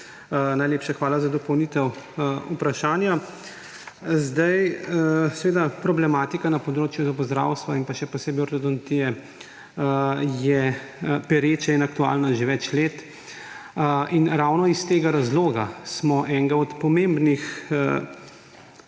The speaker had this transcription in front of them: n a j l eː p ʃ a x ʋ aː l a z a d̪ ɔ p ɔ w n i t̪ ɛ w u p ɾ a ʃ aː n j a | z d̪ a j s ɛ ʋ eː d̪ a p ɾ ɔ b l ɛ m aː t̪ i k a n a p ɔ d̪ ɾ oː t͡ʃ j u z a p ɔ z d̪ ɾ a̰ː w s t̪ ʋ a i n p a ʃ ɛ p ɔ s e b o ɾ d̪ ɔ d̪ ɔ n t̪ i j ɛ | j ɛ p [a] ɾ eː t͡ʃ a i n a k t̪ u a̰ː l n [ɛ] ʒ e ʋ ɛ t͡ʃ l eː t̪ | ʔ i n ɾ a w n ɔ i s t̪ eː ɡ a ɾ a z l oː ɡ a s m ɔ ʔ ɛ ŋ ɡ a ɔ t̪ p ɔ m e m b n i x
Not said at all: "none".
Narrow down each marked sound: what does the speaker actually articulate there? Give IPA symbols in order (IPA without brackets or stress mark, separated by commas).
ɛ, a